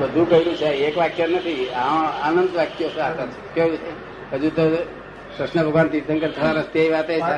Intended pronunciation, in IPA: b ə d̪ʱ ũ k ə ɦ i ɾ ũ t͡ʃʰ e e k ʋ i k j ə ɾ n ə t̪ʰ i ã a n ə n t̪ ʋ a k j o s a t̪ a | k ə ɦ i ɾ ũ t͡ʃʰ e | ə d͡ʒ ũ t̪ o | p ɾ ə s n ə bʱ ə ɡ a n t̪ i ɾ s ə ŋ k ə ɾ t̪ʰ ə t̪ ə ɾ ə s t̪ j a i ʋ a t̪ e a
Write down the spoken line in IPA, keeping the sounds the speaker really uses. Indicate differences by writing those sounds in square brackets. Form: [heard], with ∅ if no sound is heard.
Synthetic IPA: b ə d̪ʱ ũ k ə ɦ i ɾ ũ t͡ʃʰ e e k ʋ [a] k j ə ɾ n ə t̪ʰ i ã a n ə n [d̪] ʋ a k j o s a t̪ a | k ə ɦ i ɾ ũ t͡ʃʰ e | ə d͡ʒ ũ t̪ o | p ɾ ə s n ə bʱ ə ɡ a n t̪ i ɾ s ə ŋ k ə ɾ t̪ʰ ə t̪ [a] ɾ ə s t̪ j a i ʋ a t̪ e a